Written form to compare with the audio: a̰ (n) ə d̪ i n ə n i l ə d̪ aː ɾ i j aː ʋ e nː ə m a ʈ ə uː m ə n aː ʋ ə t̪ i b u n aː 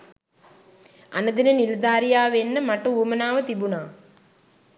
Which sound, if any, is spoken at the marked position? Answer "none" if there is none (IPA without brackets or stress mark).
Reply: n